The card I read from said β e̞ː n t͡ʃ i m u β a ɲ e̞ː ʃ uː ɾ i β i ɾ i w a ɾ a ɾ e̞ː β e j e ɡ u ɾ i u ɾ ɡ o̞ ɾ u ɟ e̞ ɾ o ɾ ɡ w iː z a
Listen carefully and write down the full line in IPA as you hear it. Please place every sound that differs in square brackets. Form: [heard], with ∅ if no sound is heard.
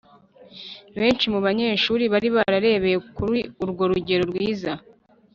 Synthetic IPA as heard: β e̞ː n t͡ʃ i m u β a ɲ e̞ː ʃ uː ɾ i β [a] ɾ i [β] a ɾ a ɾ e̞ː β e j e [k] u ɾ i u ɾ ɡ o̞ ɾ u ɟ e̞ ɾ o ɾ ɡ w iː z a